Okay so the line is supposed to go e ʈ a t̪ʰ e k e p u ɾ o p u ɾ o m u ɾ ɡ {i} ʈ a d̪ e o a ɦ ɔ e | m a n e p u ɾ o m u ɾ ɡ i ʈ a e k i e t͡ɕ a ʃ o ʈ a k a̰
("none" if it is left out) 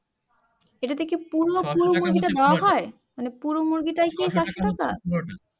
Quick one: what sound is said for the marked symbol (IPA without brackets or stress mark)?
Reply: i